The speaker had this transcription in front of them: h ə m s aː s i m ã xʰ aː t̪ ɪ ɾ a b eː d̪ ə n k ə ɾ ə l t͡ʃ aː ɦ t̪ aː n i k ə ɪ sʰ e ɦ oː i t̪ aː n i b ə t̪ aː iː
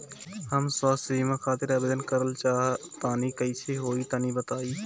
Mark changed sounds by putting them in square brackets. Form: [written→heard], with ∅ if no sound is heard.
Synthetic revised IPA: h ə m s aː s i m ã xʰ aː t̪ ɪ ɾ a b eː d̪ ə n k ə ɾ ə l t͡ʃ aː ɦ t̪ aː n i k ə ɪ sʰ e ɦ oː i t̪ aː n i b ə t̪ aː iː